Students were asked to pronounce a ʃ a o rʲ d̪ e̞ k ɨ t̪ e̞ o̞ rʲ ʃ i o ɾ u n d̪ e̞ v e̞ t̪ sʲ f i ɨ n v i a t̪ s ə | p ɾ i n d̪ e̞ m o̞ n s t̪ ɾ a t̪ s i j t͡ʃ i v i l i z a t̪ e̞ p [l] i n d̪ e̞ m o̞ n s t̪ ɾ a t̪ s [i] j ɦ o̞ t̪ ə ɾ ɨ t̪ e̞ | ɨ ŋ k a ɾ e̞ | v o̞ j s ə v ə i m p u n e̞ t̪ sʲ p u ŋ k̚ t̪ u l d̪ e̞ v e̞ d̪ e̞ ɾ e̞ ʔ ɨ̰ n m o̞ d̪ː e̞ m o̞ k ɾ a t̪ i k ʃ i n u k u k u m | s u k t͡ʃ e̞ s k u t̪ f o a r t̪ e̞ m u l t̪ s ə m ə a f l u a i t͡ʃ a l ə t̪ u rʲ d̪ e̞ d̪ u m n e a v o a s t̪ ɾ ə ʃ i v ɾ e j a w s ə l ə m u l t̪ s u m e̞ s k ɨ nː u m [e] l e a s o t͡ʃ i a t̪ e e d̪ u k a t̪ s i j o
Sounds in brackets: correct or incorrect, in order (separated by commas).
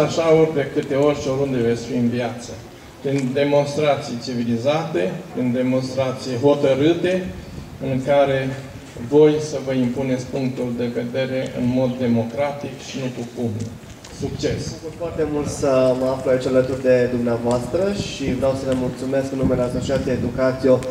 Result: incorrect, correct, correct